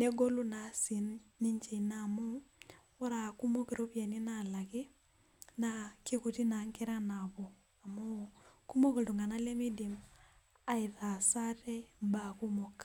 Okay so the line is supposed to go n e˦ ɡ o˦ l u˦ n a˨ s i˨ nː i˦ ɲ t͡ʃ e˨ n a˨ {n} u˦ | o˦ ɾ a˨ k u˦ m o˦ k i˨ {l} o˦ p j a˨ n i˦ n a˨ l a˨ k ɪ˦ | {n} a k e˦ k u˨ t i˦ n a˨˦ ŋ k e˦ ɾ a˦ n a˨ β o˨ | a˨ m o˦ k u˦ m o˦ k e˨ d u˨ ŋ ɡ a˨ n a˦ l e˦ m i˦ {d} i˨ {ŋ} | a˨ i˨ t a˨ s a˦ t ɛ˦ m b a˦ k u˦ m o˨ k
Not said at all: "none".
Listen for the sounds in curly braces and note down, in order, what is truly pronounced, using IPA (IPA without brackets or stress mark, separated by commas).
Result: m, ɾ, n, d, m